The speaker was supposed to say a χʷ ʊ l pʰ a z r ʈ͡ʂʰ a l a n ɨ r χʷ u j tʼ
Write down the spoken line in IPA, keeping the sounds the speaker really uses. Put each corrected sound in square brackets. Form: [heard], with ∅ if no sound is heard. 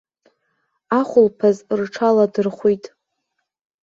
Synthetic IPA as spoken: a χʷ ʊ l pʰ a z r ʈ͡ʂʰ a l a [d] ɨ r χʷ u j tʼ